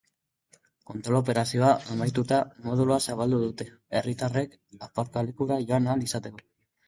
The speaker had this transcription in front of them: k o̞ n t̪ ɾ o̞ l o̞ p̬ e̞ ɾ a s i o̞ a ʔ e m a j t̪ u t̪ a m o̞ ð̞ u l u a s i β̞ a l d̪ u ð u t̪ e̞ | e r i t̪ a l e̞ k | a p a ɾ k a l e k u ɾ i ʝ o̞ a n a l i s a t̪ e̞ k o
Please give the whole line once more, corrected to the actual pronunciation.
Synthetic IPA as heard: k o̞ n t̪ ɾ o̞ l o̞ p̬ e̞ ɾ a s i o̞ a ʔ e m a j t̪ u t̪ a m o̞ ð̞ u l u a s a β̞ a l d̪ u ð u t̪ e̞ | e r i t̪ a r e̞ k | a p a ɾ k a l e k u ɾ a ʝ o̞ a n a l i s a t̪ e̞ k o